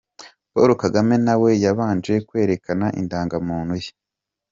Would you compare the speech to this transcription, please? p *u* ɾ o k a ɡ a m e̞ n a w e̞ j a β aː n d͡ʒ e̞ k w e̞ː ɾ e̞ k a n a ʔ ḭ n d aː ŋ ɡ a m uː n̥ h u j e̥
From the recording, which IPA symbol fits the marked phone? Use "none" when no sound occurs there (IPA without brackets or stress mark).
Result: o